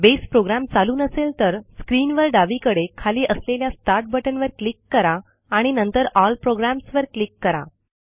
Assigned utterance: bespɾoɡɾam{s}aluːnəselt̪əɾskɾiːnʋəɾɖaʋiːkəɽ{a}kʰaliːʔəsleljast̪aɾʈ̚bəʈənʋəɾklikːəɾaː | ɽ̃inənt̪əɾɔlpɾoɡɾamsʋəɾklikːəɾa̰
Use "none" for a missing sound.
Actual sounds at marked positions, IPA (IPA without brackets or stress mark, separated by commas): t͡s, e